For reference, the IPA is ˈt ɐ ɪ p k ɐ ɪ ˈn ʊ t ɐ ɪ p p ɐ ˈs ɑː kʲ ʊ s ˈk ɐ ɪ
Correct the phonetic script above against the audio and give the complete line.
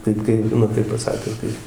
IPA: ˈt ɐ ɪ p k ɐ ɪ ˈn ʊ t ɐ ɪ p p ɐ ˈs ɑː kʲ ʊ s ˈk ɐ ɪ